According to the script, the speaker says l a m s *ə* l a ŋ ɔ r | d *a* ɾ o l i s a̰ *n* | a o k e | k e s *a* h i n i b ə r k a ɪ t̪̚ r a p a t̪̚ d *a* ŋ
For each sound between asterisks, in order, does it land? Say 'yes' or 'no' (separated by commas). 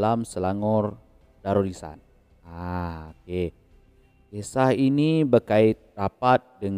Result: yes, yes, yes, yes, no